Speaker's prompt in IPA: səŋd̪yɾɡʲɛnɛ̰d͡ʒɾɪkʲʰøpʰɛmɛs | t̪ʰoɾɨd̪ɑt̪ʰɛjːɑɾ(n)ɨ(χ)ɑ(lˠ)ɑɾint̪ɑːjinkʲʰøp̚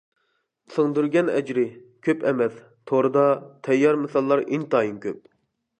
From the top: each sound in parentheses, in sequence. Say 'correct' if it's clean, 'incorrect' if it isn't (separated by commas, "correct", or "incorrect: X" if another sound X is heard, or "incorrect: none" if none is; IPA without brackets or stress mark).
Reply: incorrect: m, incorrect: s, incorrect: lˠː